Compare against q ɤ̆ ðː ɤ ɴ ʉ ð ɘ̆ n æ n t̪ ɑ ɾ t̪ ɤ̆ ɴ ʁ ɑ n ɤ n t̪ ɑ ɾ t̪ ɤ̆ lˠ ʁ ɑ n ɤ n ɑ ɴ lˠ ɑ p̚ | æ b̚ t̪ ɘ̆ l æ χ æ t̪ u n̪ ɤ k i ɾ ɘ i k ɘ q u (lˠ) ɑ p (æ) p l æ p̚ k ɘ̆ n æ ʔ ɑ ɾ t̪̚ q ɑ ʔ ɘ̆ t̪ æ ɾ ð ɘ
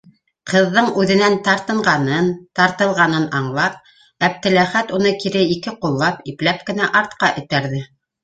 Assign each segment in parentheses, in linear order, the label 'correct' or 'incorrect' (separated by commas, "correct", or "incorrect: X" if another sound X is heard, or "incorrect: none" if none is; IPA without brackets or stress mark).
incorrect: lˠː, incorrect: i